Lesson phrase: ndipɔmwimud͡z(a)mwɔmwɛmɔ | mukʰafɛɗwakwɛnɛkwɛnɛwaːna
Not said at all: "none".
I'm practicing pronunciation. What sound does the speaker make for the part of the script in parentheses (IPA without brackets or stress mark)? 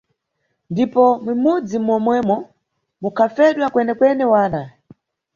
i